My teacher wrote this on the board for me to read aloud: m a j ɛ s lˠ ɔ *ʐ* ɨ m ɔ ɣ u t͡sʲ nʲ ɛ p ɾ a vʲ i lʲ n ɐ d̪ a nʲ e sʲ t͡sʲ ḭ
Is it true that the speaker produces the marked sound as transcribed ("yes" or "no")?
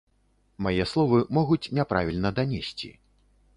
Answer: no